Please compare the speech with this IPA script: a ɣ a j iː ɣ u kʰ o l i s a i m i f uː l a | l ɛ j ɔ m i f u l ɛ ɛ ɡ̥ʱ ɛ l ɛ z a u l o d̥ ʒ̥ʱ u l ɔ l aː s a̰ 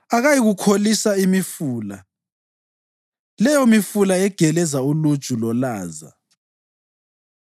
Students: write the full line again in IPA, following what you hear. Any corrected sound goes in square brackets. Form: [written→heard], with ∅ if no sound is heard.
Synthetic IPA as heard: a ɣ a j [iː→i] ɣ u kʰ o l i s a i m i f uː l a | l ɛ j ɔ m i f u l [ɛ→a] ɛ ɡ̥ʱ ɛ l ɛ z a u l [o→u] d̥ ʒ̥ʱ u l ɔ l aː [s→z] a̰